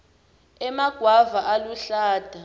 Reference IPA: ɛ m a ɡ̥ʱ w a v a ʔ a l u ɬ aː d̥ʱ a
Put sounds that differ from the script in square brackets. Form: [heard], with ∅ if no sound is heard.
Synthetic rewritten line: ɛ m a ɡ̥ʱ w a v a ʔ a l u ɬ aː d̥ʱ a